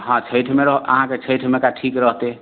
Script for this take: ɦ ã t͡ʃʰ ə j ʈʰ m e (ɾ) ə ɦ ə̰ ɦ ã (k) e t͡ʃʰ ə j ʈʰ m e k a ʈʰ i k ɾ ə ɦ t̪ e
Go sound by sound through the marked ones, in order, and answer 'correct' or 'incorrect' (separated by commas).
correct, correct